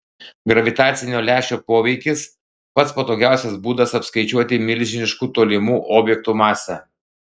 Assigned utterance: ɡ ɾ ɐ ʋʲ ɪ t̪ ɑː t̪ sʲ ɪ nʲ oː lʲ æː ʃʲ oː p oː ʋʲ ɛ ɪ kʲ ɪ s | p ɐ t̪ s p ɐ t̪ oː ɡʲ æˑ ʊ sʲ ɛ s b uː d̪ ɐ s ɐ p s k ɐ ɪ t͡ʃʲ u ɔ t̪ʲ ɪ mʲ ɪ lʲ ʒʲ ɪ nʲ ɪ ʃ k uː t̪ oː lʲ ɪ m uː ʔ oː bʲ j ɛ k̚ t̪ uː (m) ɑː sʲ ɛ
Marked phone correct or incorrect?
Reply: correct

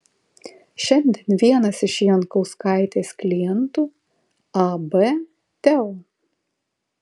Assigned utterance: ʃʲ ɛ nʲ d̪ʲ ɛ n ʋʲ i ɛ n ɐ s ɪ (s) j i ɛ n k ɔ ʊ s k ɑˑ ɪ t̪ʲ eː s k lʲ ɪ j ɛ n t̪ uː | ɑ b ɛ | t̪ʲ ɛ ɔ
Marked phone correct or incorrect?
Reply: incorrect: ʃ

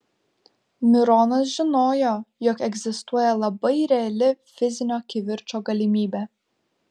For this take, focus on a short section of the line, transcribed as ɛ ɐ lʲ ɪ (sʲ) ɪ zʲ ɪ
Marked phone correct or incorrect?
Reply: incorrect: fʲ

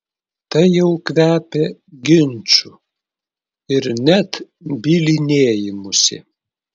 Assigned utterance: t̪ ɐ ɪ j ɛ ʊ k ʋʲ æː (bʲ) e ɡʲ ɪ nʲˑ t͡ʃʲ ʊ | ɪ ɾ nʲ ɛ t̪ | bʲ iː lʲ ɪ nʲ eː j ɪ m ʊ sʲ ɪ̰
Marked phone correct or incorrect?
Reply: incorrect: pʲ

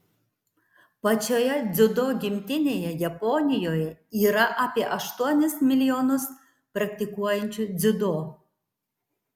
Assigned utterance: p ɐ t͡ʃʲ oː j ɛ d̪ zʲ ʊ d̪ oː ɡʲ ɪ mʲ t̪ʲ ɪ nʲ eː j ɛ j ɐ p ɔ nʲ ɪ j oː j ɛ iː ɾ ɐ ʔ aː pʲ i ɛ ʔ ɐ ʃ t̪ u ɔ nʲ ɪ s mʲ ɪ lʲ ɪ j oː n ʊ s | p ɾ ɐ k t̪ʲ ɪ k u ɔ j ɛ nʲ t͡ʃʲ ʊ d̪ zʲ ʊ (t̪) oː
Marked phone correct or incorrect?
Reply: incorrect: d̪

